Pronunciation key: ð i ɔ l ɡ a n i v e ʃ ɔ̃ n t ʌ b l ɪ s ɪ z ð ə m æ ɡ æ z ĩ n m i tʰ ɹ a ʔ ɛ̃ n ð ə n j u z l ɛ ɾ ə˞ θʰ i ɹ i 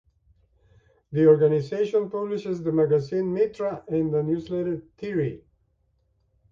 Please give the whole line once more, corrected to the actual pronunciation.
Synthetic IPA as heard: ð i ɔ ɹ ɡ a n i z e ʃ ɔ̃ n p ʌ b l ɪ ʃ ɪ z ð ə m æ ɡ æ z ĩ n m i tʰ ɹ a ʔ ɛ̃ n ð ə n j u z l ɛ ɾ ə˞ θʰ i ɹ i